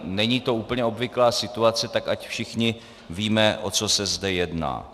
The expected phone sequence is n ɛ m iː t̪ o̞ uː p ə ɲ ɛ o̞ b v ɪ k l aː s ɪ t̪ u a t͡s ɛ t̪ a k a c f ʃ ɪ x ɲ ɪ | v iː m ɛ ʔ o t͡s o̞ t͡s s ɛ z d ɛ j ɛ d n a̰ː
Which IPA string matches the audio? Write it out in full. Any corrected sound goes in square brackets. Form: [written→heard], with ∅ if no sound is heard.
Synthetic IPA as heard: n ɛ [m→ɲ] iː t̪ o̞ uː p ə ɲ ɛ o̞ b v ɪ k l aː s ɪ t̪ u a t͡s ɛ t̪ a k a c f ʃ ɪ x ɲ ɪ | v iː m ɛ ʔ o t͡s o̞ [t͡s→∅] s ɛ z d ɛ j ɛ d n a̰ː

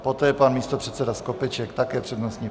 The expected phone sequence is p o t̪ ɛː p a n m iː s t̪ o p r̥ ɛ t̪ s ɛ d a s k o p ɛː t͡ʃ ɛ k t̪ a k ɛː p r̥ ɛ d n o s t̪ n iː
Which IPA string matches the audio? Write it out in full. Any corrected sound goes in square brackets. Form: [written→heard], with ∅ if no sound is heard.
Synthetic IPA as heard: p o t̪ ɛː p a n m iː s t̪ o p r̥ ɛ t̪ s ɛ d a s k o p [ɛː→ɛ] t͡ʃ ɛ k t̪ a k ɛː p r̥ ɛ d n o s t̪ [n→ɲ] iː

